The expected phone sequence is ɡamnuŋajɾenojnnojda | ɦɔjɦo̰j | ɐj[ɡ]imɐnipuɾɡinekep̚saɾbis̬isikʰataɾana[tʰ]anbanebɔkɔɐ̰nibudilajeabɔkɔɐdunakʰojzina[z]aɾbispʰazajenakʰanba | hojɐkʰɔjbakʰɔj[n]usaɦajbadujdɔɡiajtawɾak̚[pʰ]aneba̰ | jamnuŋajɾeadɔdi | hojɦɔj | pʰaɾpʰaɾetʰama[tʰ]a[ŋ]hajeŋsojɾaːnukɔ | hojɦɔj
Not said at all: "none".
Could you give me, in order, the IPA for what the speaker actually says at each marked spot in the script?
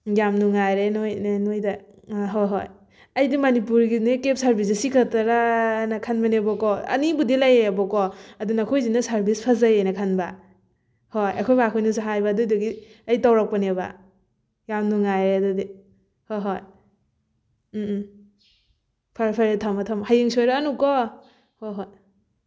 d, kʰ, s, n, p, tʰ, m

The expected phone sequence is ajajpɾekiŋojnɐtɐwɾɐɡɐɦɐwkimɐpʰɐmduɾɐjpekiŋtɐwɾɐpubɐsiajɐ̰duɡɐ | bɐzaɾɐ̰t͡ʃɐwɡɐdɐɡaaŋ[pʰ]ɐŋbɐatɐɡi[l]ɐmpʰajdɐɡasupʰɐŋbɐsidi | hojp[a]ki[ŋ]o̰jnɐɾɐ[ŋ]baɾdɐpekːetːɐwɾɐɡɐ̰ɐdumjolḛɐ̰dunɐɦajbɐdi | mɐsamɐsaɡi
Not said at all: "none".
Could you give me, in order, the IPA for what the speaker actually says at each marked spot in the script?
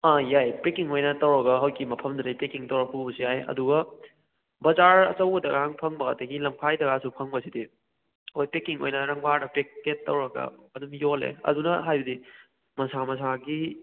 pʰ, l, e, ŋ, ŋ

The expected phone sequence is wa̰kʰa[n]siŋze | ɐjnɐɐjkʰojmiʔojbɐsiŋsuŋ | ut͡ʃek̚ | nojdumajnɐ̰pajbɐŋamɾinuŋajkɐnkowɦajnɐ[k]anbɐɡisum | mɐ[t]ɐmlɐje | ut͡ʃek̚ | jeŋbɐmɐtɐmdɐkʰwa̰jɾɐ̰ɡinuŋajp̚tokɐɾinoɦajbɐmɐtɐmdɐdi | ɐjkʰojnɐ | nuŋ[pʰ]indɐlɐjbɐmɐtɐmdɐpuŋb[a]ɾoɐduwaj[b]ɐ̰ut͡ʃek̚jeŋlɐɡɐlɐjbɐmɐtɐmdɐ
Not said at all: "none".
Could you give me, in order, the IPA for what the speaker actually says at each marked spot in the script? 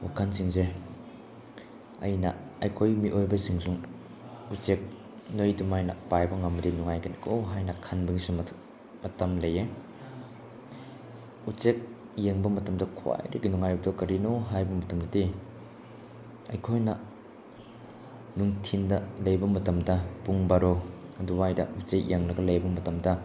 n, kʰ, t, tʰ, a, d

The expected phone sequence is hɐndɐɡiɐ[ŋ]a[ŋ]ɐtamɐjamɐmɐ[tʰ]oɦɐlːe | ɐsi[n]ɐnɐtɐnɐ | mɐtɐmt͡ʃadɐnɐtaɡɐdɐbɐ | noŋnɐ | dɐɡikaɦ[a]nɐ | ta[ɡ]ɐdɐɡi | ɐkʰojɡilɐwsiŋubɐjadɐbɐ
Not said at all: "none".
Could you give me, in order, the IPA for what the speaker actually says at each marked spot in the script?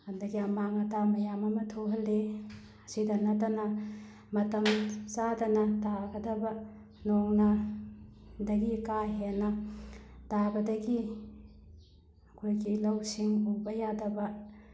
m, ŋ, tʰ, d, e, b

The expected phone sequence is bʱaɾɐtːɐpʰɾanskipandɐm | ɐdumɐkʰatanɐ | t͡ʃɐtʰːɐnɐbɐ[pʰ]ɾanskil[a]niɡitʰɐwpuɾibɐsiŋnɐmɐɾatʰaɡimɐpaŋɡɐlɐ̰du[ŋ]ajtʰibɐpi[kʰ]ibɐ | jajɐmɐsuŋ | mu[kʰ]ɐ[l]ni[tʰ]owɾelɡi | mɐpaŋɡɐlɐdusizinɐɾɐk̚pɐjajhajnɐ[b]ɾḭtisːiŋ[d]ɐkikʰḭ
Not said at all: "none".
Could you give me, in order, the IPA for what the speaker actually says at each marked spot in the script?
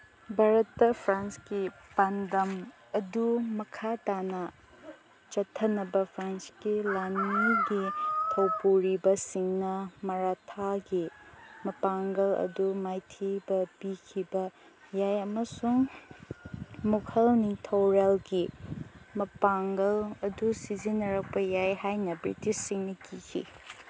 pʰ, a, m, kʰ, kʰ, l, tʰ, b, n

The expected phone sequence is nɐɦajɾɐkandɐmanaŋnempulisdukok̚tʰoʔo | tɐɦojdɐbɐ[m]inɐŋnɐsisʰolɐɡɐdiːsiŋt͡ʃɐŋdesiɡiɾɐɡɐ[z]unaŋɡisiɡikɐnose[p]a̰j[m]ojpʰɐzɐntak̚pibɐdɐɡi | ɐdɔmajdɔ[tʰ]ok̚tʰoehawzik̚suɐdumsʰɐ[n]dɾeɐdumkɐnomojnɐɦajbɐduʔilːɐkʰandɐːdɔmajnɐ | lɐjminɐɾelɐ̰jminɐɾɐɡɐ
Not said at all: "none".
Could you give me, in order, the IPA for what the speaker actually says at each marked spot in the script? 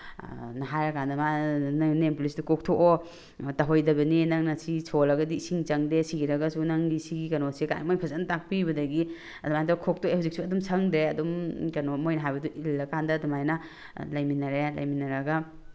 n, s, k, m, kʰ, ŋ

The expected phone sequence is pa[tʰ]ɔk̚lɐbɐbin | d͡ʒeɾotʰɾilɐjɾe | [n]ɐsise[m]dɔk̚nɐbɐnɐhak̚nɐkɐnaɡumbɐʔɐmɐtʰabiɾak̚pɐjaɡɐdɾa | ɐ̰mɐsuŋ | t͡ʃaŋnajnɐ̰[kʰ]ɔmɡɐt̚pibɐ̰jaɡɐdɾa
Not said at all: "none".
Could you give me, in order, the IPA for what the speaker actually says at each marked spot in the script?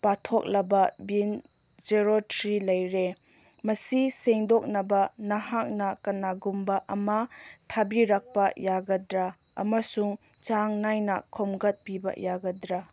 tʰ, m, ŋ, kʰ

